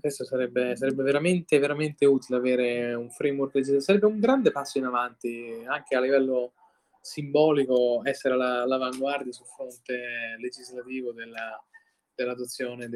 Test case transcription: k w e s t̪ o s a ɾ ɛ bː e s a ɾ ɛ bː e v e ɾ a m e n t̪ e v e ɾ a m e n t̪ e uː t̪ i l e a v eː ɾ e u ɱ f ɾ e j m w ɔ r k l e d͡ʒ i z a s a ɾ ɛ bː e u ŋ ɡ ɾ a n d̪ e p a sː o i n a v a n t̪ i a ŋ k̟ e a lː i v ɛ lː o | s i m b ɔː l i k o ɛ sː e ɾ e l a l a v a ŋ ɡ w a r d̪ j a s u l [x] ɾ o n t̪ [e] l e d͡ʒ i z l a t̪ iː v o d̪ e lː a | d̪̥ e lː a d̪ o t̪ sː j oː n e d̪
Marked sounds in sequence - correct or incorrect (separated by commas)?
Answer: incorrect, correct